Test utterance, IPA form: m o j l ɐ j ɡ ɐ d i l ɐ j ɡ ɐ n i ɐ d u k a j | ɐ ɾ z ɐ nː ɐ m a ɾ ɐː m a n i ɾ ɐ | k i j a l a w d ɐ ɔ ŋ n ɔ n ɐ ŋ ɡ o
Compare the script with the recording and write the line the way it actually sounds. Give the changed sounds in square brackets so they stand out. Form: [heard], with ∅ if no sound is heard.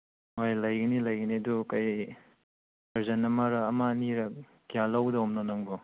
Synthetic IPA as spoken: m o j l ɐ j ɡ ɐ [n] i l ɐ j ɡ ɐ n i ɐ d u k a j | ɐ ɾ z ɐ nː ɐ m a ɾ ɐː m a n i ɾ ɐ | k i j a l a w d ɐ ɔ [m] n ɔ n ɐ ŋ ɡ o